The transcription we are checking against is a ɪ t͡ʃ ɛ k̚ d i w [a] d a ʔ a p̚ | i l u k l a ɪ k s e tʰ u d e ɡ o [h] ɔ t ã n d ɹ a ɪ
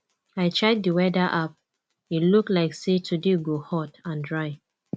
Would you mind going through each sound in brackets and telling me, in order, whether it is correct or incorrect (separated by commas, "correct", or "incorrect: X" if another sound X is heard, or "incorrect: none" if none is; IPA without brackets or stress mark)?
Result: incorrect: ɛ, correct